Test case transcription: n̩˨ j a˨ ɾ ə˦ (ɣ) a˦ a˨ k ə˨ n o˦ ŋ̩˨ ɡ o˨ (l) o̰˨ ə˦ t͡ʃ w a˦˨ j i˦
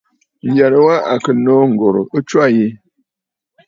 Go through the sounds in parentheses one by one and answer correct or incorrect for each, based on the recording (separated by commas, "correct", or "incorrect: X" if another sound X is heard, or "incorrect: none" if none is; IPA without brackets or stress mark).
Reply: incorrect: w, incorrect: ɾ